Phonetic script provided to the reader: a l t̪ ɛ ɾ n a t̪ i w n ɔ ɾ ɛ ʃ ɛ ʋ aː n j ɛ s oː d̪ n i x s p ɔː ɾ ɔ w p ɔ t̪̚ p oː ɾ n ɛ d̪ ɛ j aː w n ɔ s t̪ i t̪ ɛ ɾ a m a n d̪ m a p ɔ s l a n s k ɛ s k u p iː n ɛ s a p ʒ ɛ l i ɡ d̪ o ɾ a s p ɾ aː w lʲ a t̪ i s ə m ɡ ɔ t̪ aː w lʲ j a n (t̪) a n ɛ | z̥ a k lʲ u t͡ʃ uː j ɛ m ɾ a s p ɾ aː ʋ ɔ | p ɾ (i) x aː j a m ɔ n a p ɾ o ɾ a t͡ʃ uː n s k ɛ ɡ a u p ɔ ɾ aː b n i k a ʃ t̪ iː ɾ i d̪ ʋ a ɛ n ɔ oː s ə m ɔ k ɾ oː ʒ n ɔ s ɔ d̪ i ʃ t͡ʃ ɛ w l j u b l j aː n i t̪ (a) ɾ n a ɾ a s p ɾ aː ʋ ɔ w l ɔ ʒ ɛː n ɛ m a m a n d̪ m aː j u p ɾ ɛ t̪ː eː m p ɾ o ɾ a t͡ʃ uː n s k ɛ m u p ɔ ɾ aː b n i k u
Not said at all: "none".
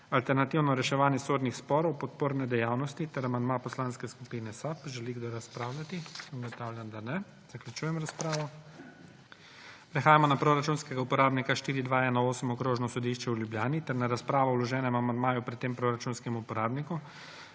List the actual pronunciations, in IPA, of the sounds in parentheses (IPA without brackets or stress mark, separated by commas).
d̪, ɛ, ɛ